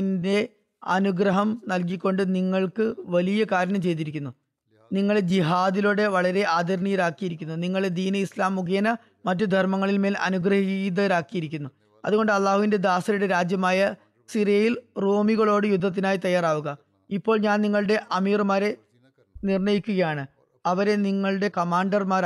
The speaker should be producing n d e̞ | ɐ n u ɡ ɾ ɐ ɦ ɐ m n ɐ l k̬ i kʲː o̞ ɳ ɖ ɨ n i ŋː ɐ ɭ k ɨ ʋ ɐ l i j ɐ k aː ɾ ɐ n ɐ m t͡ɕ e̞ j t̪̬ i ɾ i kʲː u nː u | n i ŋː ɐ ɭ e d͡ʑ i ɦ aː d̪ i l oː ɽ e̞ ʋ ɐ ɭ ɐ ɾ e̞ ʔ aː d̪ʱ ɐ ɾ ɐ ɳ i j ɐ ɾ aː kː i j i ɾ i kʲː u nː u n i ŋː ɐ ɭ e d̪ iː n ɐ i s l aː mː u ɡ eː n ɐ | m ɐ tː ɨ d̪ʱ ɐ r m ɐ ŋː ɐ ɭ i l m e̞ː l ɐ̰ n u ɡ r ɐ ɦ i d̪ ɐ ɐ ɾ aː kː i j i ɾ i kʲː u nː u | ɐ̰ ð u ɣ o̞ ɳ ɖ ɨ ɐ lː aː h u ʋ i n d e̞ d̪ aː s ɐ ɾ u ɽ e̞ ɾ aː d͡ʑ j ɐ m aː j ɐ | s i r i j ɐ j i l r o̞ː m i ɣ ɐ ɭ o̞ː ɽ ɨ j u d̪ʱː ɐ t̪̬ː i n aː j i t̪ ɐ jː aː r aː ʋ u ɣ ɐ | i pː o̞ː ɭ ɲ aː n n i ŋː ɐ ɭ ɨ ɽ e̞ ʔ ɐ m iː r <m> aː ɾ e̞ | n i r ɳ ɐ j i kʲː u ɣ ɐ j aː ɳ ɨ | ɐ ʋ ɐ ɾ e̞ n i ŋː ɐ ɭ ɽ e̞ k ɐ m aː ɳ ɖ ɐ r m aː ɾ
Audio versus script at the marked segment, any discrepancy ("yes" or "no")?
no